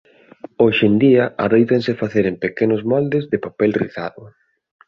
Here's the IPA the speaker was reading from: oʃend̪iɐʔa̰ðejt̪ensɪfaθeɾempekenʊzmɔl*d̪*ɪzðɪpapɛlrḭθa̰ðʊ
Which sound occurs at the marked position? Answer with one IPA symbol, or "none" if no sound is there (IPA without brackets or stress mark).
d̪